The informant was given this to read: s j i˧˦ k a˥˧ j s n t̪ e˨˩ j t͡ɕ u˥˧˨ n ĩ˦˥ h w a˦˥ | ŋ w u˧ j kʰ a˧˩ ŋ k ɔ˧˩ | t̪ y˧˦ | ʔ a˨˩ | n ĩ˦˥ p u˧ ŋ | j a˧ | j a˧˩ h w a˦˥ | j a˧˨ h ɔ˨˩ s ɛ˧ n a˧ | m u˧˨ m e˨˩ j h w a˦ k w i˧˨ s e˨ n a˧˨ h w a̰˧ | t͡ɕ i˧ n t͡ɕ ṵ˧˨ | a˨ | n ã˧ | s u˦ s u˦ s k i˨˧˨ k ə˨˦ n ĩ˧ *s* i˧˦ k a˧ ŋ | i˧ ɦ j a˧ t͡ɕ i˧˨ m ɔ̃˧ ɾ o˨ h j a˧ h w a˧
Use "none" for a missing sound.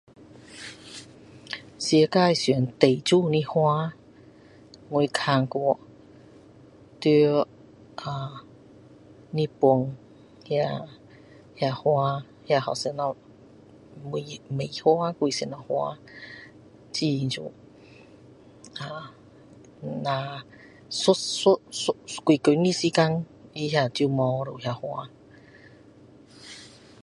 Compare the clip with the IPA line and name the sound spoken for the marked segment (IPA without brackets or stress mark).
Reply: s